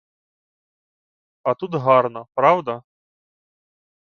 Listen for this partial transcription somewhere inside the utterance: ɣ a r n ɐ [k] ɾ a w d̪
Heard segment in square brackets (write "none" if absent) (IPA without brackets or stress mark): p